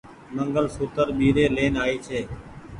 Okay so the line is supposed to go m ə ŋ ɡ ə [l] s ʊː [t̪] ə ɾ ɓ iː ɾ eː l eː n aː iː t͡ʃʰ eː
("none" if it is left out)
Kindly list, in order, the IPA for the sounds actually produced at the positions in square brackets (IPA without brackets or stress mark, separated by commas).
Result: l, t̪